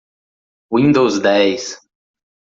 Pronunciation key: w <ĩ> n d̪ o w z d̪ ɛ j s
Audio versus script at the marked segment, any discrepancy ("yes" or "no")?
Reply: no